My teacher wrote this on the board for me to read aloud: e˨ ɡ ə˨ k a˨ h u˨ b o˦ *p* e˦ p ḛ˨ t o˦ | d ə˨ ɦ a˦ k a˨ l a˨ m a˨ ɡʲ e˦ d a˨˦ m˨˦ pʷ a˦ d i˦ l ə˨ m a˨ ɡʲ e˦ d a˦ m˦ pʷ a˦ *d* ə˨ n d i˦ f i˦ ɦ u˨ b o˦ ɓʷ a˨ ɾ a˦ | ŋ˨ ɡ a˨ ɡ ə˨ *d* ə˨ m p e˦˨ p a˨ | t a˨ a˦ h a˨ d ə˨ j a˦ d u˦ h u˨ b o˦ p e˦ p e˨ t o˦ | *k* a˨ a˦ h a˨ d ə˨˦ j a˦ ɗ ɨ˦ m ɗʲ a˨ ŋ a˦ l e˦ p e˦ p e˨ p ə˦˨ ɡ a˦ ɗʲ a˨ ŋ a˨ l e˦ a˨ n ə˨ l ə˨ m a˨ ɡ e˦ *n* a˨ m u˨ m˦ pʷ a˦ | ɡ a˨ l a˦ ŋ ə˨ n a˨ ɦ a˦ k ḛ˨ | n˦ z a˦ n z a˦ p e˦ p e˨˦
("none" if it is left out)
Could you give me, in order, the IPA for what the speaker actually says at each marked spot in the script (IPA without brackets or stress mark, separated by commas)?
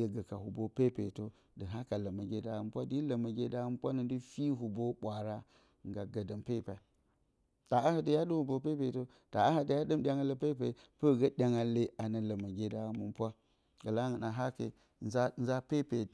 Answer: p, n, d, t, d